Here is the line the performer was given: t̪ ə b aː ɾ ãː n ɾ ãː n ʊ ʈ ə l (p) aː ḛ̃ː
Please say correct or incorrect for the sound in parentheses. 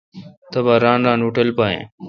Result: correct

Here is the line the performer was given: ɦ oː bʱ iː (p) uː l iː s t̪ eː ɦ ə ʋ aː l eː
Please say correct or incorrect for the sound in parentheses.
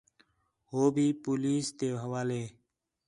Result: correct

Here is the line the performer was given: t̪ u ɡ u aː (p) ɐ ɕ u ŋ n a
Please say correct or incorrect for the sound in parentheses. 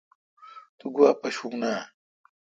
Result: correct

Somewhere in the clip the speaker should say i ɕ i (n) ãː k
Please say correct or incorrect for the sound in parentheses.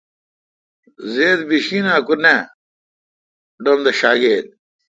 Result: correct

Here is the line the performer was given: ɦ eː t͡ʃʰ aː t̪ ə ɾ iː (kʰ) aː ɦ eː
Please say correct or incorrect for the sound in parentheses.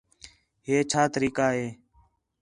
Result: incorrect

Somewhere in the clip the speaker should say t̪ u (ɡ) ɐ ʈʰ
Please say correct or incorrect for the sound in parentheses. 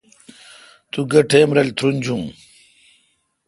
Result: correct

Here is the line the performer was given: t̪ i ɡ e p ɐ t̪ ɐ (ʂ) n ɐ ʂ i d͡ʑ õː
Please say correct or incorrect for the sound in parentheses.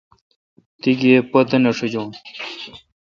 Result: incorrect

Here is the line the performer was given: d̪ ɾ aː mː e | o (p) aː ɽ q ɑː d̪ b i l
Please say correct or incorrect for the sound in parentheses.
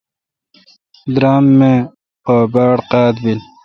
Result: incorrect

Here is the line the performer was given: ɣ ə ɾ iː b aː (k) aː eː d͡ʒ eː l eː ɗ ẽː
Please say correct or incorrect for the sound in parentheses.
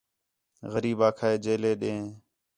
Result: incorrect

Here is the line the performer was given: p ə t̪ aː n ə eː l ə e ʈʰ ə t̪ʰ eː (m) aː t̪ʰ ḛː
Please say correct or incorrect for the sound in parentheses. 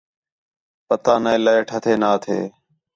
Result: incorrect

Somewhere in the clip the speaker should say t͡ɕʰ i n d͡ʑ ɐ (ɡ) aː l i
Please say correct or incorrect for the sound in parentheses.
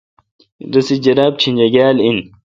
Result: correct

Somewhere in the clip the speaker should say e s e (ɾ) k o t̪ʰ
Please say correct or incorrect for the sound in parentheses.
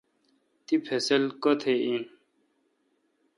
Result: incorrect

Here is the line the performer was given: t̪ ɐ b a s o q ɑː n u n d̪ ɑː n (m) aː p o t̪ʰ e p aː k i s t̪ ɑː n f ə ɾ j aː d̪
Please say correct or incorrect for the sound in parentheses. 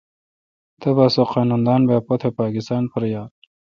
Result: incorrect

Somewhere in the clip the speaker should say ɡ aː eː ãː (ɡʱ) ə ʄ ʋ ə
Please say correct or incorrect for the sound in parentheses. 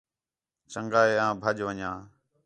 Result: incorrect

